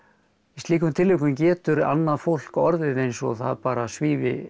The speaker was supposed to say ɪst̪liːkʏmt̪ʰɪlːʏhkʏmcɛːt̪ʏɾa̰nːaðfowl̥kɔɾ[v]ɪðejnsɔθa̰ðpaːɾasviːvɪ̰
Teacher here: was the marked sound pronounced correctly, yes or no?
no